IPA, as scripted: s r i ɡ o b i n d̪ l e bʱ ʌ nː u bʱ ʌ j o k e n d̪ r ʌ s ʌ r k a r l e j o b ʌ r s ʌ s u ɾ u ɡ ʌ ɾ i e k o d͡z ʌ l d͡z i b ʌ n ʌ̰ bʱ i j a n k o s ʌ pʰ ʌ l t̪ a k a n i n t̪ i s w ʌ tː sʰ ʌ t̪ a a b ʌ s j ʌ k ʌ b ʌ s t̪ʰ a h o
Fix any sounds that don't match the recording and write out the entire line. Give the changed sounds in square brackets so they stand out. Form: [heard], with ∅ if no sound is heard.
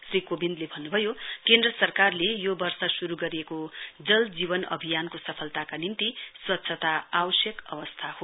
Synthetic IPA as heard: s r i [k] o b i n d̪ l e bʱ ʌ nː u bʱ ʌ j o k e n d̪ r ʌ s ʌ r k a r l e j o b ʌ r s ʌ s u ɾ u ɡ ʌ ɾ i e k o d͡z ʌ l d͡z i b ʌ n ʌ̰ bʱ i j a n k o s ʌ pʰ ʌ l t̪ a k a n i n t̪ i s w ʌ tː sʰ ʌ t̪ a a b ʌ s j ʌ k ʌ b ʌ s t̪ʰ a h o